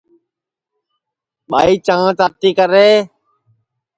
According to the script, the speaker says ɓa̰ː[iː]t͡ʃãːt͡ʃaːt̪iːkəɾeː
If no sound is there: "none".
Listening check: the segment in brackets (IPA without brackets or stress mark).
iː